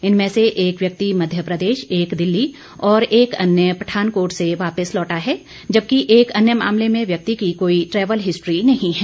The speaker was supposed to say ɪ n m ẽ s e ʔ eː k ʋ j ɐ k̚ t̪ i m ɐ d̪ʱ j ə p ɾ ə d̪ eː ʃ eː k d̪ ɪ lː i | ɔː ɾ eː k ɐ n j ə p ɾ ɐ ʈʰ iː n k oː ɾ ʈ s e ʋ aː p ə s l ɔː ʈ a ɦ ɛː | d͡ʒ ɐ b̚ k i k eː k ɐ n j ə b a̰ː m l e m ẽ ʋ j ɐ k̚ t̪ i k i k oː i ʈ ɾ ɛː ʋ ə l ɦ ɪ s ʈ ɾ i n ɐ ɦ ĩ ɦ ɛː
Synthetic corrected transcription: ɪ n m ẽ s e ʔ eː k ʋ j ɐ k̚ t̪ i m ɐ d̪ʱ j ə p ɾ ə d̪ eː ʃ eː k d̪ ɪ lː i | ɔː ɾ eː k ɐ n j ə p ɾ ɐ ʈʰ aː n k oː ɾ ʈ s e ʋ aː p ə s l ɔː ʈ a ɦ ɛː | d͡ʒ ɐ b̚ k i ʔ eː k ɐ n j ə m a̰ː m l e m ẽ ʋ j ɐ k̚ t̪ i k i k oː i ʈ ɾ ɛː ʋ ə l ɦ ɪ s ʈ ɾ i n ɐ ɦ ĩ ɦ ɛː

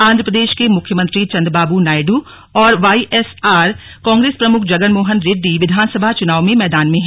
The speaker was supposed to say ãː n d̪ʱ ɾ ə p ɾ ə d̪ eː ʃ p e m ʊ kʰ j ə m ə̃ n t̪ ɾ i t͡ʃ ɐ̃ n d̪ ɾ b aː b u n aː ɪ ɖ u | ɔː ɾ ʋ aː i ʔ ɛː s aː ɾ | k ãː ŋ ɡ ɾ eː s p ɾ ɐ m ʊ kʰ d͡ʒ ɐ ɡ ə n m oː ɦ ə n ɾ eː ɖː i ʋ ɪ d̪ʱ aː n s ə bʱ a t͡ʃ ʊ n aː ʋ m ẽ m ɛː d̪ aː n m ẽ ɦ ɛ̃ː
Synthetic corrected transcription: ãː n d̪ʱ ɾ ə p ɾ ə d̪ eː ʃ k e m ʊ kʰ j ə m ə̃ n t̪ ɾ i t͡ʃ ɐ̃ n d̪ ɾ b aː b u n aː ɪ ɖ u | ɔː ɾ ʋ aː i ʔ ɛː s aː ɾ | k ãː ŋ ɡ ɾ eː s p ɾ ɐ m ʊ kʰ d͡ʒ ɐ ɡ ə n m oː ɦ ə n ɾ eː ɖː i ʋ ɪ d̪ʱ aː n s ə bʱ a t͡ʃ ʊ n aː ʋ m ẽ m ɛː d̪ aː n m ẽ ɦ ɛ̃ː

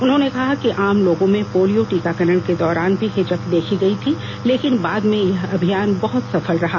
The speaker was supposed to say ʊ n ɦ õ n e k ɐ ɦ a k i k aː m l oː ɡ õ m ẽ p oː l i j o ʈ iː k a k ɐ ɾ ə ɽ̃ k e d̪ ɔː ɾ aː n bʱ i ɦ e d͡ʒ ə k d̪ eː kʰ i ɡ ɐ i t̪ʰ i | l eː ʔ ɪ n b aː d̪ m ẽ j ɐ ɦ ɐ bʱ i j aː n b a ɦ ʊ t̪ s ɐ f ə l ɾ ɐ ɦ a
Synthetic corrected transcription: ʊ n ɦ õ n e k ɐ ɦ a k i ʔ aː m l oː ɡ õ m ẽ p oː l i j o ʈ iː k a k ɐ ɾ ə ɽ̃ k e d̪ ɔː ɾ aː n bʱ i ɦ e d͡ʒ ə k d̪ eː kʰ i ɡ ɐ i t̪ʰ i | l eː k ɪ n b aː d̪ m ẽ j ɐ ɦ ɐ bʱ i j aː n b ɐ ɦ ʊ t̪ s ɐ f ə l ɾ ɐ ɦ a

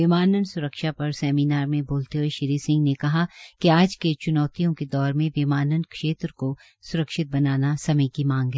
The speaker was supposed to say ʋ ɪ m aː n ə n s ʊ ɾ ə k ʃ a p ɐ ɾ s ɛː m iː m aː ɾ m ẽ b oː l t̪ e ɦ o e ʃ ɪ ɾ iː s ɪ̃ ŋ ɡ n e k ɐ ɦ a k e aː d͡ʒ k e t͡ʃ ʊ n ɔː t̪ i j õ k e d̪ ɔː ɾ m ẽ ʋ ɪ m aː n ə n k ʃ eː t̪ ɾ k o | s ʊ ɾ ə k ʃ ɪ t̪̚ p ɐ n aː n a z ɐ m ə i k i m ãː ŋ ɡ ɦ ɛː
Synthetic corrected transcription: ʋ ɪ m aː n ə n s ʊ ɾ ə k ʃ a p ɐ ɾ s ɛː m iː n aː ɾ m ẽ b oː l t̪ e ɦ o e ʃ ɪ ɾ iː s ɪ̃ ŋ ɡ n e k ɐ ɦ a k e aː d͡ʒ k e t͡ʃ ʊ n ɔː t̪ i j õ k e d̪ ɔː ɾ m ẽ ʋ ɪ m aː n ə n k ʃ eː t̪ ɾ k o | s ʊ ɾ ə k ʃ ɪ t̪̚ b ɐ n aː n a s ɐ m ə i k i m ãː ŋ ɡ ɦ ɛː

